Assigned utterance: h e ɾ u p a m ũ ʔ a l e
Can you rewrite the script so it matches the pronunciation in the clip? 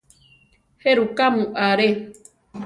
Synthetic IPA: h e ɾ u k a m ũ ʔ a ɾ e